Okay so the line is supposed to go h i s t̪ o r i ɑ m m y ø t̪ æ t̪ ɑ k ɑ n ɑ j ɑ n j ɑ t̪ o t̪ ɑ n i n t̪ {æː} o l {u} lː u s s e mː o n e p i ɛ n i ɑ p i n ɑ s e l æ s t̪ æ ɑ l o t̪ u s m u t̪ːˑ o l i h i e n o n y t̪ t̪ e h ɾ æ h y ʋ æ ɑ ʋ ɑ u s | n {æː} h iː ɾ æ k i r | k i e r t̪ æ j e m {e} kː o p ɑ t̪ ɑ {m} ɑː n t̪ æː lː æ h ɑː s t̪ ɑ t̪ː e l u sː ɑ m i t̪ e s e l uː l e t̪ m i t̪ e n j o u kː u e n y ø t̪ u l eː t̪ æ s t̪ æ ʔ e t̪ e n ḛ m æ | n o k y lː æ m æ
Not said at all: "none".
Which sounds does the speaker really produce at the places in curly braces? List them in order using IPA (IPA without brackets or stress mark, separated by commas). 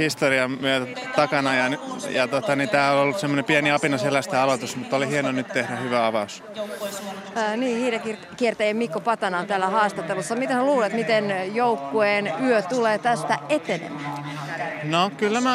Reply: æː, o, iː, i, n